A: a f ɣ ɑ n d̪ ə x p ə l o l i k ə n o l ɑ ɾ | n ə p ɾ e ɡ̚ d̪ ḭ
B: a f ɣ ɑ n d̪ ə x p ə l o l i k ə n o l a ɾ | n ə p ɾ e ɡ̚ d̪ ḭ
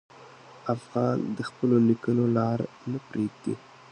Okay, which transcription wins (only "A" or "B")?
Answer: A